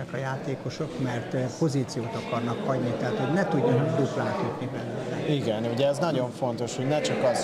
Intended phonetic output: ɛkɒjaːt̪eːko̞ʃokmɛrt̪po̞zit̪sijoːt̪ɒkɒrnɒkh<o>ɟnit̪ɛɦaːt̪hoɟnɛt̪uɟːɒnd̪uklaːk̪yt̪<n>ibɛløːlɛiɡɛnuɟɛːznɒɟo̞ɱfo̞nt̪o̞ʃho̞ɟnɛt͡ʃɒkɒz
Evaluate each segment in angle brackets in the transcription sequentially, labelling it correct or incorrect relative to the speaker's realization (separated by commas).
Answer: incorrect, correct